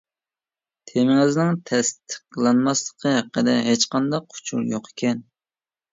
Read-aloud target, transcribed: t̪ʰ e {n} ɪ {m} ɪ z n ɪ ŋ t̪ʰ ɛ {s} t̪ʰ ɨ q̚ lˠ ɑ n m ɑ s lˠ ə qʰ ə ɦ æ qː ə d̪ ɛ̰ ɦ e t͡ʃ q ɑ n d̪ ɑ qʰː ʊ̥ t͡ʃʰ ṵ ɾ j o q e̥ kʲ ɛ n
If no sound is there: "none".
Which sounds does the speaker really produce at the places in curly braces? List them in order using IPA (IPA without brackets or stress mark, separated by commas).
m, ŋ, s